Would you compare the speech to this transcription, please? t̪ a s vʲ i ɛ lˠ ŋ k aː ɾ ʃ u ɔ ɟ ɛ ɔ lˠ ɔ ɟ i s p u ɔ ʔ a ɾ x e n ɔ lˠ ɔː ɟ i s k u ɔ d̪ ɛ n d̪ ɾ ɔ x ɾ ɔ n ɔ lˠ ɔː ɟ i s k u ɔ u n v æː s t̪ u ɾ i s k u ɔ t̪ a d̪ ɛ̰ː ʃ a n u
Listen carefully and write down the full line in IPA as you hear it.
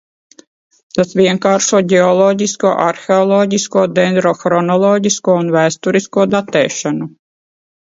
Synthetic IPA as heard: t̪ a s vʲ i ɛ ŋ k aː ɾ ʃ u ɔ ɟ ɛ ɔ lˠ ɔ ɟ i s k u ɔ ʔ a ɾ x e ɔ lˠ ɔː ɟ i s k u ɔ d̪ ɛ n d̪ ɾ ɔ x ɾ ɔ n ɔ lˠ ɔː ɟ i s k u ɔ u n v æː s t̪ u ɾ i s k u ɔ d̪ a t̪ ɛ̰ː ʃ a n u

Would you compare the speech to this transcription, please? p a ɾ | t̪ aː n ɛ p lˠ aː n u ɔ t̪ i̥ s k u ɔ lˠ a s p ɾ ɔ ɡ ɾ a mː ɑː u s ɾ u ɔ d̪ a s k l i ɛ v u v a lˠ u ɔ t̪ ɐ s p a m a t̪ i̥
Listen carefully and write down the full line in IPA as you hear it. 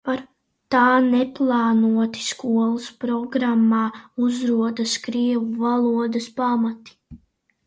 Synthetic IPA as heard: p a ɾ | t̪ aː n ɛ p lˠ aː n u ɔ t̪ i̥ s k u ɔ lˠ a s p ɾ ɔ ɡ ɾ a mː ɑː u z ɾ u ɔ d̪ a s k ɾ i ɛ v u v a lˠ u ɔ d̪ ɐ s p a m a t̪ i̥

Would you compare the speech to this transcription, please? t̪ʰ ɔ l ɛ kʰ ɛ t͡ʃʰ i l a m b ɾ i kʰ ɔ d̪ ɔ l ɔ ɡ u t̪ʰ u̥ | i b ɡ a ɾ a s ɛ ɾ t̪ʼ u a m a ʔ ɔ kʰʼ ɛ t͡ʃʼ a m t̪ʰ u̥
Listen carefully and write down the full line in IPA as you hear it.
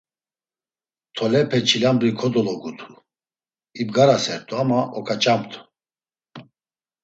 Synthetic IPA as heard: t̪ʰ ɔ l ɛ pʰ ɛ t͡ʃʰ i l a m b ɾ i kʰ ɔ d̪ ɔ l ɔ ɡ u t̪ʰ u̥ | i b ɡ a ɾ a s ɛ ɾ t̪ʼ u a m a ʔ ɔ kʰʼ a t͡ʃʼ a m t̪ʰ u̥

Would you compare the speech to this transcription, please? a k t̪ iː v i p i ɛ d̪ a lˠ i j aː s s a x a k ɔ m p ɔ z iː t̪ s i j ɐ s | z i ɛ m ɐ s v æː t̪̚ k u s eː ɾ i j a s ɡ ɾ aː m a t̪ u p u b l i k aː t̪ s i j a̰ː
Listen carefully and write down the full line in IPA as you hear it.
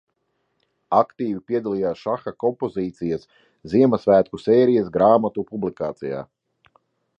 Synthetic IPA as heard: a k t̪ iː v i p i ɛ d̪ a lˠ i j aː s ʃ a x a k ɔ m p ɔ z iː t̪ s i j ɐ s | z i ɛ m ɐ s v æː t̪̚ k u s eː ɾ i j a s ɡ ɾ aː m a t̪ u p u b l i k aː t̪ s i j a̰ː

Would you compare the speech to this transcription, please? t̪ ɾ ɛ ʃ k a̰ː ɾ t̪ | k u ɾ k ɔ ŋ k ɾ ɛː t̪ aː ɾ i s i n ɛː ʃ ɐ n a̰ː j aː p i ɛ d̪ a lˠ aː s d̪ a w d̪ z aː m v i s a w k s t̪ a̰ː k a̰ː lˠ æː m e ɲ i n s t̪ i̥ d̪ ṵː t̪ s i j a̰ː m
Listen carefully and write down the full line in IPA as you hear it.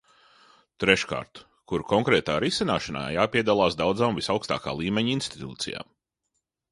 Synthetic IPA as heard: t̪ ɾ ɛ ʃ k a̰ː ɾ t̪ | k u ɾ k ɔ ŋ k ɾ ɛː t̪ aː ɾ i s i n aː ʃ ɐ n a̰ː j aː p i ɛ d̪ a lˠ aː s d̪ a w d̪ z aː m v i s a w k s t̪ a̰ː k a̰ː lˠ iː m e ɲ i n s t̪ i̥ t̪ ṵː t̪ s i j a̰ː m

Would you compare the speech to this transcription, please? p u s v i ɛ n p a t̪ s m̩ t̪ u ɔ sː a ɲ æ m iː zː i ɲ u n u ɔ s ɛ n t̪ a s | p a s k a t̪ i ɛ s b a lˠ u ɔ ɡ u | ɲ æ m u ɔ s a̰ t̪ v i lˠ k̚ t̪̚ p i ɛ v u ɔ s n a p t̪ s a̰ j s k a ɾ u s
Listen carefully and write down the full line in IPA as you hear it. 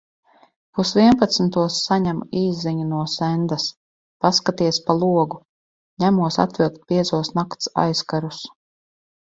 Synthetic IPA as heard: p u s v i ɛ n p a t̪ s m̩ t̪ u ɔ sː a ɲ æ m iː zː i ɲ u n u ɔ s ɛ n d̪ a s | p a s k a t̪ i ɛ s p a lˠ u ɔ ɡ u | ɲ æ m u ɔ s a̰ t̪ v i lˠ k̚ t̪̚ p i ɛ z u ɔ s n a k t̪ s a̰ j s k a ɾ u s

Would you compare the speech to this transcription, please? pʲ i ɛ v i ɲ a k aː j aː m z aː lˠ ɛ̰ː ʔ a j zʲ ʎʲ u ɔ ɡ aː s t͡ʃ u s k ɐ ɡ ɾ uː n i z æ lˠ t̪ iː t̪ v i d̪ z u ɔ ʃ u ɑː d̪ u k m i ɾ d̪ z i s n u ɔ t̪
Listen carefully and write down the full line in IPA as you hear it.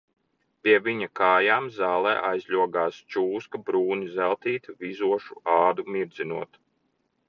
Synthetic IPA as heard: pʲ i ɛ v i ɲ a k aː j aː m z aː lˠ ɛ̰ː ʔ a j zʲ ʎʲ u ɔ ɡ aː s t͡ʃ uː s k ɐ b ɾ uː n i z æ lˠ t̪ iː t̪ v i z u ɔ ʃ u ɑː d̪ u m i ɾ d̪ z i n u ɔ t̪

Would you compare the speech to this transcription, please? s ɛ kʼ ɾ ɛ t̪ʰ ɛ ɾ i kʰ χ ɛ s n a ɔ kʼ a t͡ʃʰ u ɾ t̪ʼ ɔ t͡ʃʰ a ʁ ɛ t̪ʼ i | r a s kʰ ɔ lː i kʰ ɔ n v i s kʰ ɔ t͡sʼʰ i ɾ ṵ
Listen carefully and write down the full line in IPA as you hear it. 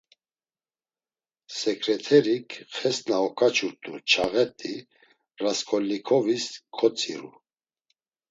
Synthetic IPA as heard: s ɛ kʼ ɾ ɛ t̪ʰ ɛ ɾ i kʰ χ ɛ s n a ɔ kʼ a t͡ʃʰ u ɾ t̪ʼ u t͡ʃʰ a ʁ ɛ t̪ʼ i | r a s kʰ ɔ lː i kʰ ɔ v i s kʰ ɔ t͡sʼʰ i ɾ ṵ

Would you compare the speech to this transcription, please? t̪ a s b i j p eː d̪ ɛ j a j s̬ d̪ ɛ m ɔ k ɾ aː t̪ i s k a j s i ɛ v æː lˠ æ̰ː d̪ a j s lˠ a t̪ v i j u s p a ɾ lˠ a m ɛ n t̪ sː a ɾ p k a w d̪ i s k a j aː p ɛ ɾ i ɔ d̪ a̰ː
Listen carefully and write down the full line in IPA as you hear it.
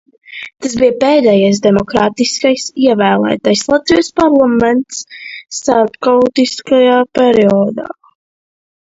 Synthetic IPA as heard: t̪ a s b i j p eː d̪ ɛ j a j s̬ d̪ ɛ m ɔ k ɾ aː t̪ i s k a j s i ɛ v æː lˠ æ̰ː t̪ a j s lˠ a t̪ v i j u s p a ɾ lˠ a m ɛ n t̪ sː a ɾ p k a w t̪ i s k a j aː p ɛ ɾ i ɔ d̪ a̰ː

